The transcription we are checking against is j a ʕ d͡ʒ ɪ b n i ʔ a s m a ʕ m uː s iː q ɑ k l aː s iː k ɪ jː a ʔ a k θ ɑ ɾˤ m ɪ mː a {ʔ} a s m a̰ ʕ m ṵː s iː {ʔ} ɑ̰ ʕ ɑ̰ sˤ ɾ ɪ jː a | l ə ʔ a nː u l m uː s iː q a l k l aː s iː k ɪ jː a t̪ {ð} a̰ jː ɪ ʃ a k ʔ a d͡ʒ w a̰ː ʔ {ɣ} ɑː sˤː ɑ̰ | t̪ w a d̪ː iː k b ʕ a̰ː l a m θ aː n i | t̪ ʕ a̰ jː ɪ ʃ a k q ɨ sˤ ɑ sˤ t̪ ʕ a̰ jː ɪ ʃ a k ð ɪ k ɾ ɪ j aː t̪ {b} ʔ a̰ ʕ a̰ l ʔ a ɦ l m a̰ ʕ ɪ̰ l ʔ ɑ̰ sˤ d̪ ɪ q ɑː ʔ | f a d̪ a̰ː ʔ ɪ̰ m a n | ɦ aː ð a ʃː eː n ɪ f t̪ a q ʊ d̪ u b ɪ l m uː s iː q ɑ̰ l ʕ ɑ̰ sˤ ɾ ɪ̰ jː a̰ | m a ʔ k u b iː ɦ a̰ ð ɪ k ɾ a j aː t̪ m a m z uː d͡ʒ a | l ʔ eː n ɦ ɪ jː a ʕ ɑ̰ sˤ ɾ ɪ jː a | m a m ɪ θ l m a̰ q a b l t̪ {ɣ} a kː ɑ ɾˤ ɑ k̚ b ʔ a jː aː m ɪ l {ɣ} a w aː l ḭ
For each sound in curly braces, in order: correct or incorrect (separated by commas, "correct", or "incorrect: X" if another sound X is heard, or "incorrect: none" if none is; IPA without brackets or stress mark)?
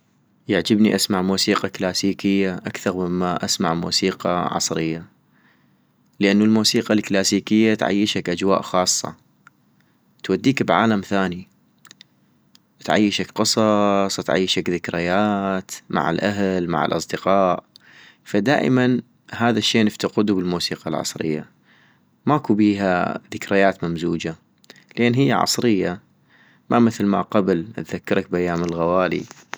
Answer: correct, incorrect: q, incorrect: ʕ, incorrect: x, incorrect: m, incorrect: ð, correct